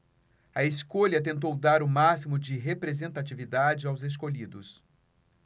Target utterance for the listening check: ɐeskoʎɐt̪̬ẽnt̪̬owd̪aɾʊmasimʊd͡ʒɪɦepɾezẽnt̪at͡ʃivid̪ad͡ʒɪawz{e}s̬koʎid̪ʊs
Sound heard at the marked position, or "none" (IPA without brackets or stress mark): e